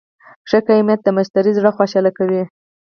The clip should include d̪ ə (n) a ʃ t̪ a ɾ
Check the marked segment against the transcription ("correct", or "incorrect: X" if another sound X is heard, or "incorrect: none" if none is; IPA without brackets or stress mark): incorrect: m